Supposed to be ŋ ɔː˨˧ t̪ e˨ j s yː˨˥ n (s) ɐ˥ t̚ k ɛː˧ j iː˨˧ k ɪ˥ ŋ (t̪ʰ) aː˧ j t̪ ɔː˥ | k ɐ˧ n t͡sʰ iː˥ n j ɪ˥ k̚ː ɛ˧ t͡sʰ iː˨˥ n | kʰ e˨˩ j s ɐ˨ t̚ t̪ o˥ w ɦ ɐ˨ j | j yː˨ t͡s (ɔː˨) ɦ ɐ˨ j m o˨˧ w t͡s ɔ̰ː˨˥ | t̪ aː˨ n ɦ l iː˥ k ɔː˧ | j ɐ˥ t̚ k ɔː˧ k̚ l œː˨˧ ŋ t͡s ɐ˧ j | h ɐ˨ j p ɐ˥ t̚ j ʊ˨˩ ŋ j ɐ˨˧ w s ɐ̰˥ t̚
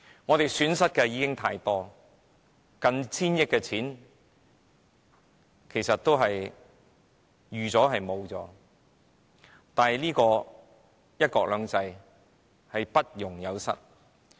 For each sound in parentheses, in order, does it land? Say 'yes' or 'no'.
yes, yes, no

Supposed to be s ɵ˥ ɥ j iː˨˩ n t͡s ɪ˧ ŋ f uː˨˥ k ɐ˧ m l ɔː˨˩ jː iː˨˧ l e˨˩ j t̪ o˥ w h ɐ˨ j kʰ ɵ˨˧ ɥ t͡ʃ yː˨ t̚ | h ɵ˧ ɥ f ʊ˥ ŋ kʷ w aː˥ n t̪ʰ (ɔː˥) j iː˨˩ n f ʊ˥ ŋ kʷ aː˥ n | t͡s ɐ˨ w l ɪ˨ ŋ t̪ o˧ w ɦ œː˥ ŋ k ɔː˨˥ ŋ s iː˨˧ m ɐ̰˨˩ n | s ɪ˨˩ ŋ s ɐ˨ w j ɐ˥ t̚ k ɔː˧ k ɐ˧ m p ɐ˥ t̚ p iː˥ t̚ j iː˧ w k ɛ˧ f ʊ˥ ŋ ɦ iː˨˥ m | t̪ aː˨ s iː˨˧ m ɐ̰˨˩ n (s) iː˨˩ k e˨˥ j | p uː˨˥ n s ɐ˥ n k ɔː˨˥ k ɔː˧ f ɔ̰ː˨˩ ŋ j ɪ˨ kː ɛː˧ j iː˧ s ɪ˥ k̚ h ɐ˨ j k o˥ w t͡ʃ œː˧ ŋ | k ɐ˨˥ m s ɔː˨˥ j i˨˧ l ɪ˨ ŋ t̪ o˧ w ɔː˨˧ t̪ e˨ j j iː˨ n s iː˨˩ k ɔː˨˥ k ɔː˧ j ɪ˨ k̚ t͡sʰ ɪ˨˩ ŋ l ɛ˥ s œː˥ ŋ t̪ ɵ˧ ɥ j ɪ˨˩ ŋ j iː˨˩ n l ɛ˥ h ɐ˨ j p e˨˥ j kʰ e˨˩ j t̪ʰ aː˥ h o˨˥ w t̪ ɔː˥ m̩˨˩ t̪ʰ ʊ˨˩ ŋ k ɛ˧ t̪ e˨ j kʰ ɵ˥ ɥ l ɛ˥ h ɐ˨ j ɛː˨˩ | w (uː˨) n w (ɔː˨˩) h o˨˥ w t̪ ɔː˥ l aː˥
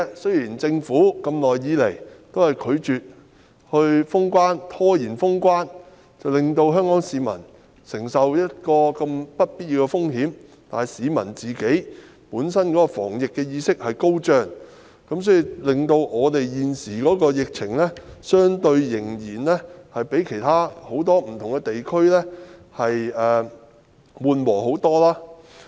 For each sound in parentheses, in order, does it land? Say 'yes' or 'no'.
yes, no, yes, yes

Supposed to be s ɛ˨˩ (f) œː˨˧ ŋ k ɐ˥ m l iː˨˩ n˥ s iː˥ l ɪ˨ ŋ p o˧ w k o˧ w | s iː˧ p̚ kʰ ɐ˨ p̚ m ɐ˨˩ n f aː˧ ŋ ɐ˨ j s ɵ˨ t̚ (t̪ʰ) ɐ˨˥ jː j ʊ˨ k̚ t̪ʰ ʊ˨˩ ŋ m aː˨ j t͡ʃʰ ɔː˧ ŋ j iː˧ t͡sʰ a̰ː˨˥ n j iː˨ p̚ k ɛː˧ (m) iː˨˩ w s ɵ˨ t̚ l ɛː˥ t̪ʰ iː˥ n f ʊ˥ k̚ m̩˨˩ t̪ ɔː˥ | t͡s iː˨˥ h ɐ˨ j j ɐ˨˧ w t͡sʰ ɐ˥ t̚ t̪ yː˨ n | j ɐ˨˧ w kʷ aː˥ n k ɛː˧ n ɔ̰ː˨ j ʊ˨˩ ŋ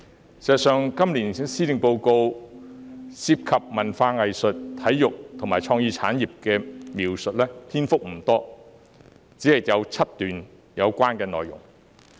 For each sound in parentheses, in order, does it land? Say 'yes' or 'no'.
no, yes, yes

